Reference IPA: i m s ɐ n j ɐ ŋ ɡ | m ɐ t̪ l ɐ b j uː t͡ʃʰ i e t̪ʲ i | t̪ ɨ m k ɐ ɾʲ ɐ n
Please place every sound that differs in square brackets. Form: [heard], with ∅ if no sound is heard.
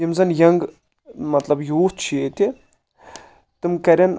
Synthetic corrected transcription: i m [z] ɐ n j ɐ ŋ ɡ | m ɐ t̪ l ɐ b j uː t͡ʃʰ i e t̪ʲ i | t̪ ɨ m k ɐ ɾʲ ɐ n